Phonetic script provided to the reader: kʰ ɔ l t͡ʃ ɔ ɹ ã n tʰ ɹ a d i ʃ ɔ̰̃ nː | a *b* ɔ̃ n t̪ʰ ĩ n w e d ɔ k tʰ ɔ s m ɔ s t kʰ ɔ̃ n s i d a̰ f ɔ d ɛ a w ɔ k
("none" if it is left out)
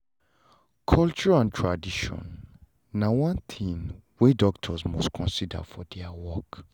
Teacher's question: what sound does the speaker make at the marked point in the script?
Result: w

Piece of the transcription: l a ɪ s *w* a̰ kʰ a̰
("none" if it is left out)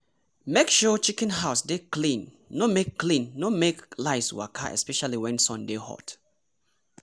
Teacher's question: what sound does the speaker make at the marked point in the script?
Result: w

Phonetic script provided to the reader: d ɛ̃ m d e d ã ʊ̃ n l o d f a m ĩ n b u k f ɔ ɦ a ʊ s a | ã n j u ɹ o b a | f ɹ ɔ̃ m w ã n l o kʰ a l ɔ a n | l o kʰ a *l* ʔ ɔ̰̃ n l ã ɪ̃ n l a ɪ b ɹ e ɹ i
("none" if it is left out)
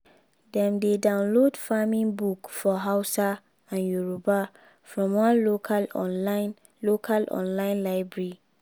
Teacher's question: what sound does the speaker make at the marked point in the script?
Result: l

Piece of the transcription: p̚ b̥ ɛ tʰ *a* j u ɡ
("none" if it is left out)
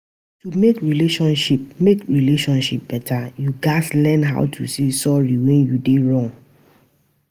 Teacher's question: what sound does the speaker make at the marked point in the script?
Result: a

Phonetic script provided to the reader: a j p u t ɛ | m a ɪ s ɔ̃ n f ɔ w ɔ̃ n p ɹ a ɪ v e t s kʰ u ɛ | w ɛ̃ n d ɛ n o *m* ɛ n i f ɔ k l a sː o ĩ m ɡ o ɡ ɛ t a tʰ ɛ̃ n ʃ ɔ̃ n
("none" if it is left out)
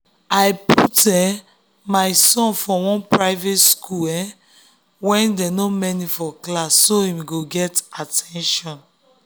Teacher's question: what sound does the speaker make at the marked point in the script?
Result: m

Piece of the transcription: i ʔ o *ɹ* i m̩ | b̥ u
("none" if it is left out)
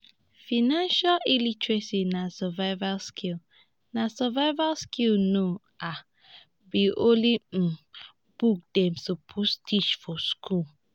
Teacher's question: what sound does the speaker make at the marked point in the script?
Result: l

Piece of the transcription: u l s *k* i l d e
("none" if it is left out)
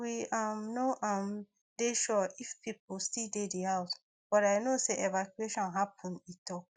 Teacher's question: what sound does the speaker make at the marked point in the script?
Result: t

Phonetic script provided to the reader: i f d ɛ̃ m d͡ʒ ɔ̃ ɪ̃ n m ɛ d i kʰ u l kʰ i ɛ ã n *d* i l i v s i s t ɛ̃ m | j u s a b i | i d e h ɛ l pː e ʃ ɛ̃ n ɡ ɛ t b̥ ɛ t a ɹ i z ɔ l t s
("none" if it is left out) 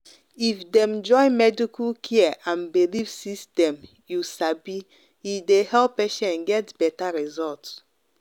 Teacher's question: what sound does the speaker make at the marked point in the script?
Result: b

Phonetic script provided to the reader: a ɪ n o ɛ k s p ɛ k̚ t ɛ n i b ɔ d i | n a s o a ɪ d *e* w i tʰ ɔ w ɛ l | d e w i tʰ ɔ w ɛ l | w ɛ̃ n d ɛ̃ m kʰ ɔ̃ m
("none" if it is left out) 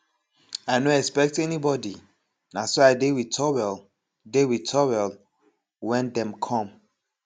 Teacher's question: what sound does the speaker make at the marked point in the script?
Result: e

